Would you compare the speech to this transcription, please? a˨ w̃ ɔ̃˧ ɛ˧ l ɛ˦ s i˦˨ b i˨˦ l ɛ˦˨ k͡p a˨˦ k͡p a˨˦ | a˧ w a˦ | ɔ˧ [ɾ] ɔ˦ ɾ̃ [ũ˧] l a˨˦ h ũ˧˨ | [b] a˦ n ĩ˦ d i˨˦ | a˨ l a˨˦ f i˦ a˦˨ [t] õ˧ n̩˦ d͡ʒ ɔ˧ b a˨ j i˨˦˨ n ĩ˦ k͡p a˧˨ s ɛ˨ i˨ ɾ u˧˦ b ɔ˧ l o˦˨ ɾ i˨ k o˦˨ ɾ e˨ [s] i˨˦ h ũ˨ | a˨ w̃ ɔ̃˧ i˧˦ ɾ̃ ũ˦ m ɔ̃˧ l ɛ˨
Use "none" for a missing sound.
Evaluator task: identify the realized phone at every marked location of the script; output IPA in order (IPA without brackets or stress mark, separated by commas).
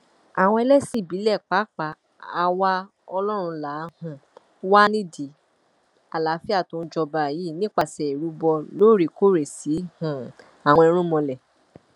l, ũ˧, w, t, s